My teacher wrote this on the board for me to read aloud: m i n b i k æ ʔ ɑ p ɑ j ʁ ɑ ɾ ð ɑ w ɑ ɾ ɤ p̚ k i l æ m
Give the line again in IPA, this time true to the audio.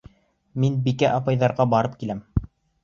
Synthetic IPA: m i n b i k æ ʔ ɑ p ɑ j ð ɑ ɾ ʁ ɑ b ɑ ɾ ɤ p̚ k i l æ m